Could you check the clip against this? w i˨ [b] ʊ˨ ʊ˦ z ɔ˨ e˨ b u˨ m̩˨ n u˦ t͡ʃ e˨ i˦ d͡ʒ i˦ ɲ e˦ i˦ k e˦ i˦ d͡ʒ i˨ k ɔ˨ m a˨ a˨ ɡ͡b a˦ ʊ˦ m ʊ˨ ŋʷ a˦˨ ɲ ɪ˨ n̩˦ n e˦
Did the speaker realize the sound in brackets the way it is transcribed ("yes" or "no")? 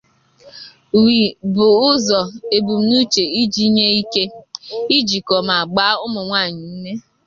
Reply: yes